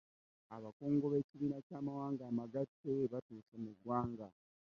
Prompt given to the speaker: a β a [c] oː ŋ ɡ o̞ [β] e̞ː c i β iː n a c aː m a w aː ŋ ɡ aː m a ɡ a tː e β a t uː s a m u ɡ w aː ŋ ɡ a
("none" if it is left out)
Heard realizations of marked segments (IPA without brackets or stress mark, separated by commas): k, β